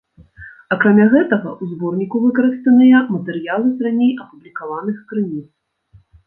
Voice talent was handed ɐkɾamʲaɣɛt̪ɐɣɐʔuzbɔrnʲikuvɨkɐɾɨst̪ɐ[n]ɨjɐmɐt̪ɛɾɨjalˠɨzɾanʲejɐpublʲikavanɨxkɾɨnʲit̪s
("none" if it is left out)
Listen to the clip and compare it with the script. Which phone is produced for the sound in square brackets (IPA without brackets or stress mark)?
n